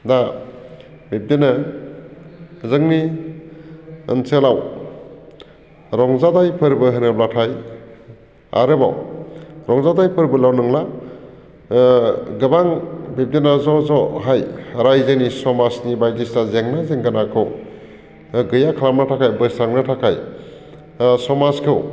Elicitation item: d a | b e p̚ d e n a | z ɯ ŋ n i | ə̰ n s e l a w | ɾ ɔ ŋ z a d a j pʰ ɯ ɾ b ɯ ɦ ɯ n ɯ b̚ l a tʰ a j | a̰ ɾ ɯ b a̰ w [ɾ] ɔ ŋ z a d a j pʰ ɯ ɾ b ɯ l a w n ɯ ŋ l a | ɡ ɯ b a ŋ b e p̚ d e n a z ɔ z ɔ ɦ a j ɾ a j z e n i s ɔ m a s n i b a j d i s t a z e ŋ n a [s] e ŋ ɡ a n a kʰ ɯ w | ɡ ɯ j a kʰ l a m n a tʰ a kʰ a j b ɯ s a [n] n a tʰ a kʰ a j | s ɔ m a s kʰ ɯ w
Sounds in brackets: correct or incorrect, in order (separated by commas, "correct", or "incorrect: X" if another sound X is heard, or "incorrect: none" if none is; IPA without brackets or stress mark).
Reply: correct, incorrect: z, incorrect: ŋ